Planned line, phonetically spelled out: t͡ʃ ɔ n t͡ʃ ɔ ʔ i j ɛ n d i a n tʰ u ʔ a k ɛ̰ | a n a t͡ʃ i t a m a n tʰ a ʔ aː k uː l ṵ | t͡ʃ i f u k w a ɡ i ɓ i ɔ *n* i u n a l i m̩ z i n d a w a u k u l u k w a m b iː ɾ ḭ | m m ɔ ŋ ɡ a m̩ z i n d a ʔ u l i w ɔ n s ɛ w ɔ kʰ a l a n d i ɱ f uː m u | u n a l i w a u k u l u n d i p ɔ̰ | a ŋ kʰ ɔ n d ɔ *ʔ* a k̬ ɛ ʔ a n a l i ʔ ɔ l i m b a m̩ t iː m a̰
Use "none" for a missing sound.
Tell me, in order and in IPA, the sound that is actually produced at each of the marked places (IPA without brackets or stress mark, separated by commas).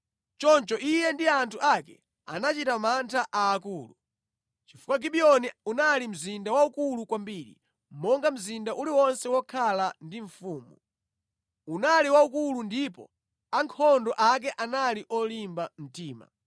n, ʔ